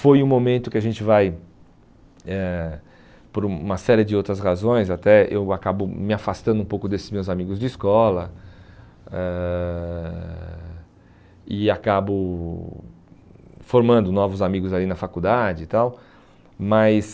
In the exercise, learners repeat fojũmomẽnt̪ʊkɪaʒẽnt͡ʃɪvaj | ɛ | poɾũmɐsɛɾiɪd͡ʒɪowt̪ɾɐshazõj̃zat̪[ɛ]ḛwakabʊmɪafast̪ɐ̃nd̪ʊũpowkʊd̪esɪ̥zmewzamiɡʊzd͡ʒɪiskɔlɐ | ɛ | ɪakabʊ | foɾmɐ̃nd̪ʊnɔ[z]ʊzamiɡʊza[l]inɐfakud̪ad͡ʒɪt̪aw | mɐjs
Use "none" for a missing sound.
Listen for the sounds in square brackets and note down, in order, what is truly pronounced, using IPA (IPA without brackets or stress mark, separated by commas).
ɛ, v, l